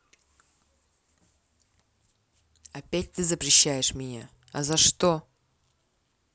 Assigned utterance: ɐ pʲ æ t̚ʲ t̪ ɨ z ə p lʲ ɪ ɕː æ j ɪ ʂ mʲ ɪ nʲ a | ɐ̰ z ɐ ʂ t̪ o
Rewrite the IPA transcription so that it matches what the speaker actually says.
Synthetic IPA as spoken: ɐ pʲ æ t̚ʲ t̪ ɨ z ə p ɾʲ ɪ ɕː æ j ɪ ʂ mʲ ɪ nʲ a | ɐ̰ z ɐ ʂ t̪ o

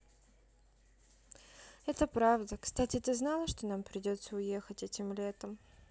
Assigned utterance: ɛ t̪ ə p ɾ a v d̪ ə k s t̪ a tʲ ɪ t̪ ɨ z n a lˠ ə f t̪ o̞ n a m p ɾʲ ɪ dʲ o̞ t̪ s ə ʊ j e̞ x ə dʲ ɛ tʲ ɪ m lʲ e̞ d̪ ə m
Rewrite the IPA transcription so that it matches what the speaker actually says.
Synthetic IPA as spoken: ɛ t̪ ə p ɾ a v d̪ ə k s t̪ a tʲ ɪ t̪ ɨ z n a lˠ ə ʂ t̪ o̞ n a m p ɾʲ ɪ dʲ o̞ t̪ s ə ʊ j e̞ x ə tʲ ɛ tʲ ɪ m lʲ e̞ t̪ ə m

